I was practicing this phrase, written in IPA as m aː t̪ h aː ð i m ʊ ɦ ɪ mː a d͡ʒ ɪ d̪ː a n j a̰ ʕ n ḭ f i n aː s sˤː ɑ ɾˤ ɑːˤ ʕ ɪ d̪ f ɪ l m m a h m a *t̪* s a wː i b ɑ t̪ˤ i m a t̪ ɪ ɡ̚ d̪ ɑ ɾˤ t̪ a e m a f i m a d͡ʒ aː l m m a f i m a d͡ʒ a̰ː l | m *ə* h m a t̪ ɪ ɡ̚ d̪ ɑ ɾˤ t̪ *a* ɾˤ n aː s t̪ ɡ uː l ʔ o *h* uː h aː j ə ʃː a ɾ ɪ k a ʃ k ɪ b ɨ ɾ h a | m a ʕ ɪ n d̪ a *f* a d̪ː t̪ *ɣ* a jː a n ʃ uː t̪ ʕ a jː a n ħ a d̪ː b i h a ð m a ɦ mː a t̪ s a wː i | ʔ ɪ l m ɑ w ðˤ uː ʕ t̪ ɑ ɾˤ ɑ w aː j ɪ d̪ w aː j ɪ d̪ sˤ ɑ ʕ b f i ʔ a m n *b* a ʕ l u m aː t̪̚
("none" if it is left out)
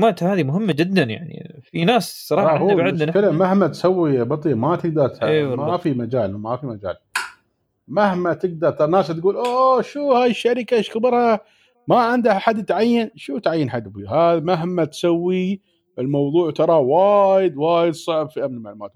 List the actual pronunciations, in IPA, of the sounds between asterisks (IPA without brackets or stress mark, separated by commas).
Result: t̪, a, ɑ, ʃ, ħ, ʕ, m